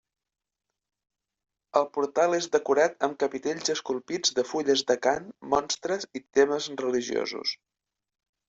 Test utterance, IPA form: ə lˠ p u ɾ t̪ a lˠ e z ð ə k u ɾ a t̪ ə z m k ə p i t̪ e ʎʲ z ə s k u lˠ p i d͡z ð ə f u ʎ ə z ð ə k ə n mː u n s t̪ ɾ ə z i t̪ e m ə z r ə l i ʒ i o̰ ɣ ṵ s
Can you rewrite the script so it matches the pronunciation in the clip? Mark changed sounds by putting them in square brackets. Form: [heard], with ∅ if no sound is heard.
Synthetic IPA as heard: ə lˠ p u ɾ t̪ a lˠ e z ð ə k u ɾ a t̪ ə [∅] m k ə p i t̪ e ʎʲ z ə s k u lˠ p i d͡z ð ə f u ʎ ə z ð ə k [a] n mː [ɔ] n s t̪ ɾ ə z i t̪ e m ə z r ə l i ʒ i o̰ [z] ṵ s